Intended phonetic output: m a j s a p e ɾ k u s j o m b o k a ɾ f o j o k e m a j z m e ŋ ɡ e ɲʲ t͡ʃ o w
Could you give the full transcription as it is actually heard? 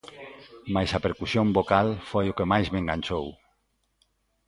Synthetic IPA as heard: m a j s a p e ɾ k u s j o m b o k a l f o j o k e m a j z m e ŋ ɡ a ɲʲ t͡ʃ o w